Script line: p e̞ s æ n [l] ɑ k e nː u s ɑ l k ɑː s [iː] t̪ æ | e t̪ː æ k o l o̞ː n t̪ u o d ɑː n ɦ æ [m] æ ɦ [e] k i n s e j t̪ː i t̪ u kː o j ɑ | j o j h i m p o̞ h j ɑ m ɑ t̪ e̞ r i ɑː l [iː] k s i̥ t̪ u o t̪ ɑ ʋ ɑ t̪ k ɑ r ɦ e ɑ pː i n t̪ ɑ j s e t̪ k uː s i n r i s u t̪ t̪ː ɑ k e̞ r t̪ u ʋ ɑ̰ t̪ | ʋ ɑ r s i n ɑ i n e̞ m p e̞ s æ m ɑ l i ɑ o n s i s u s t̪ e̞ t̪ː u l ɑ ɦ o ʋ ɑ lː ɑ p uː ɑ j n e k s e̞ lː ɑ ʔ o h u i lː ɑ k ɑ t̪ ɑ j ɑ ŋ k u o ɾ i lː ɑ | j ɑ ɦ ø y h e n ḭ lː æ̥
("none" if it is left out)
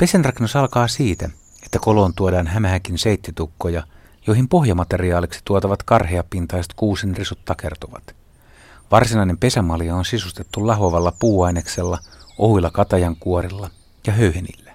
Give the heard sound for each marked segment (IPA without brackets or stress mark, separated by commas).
r, iː, m, æ, i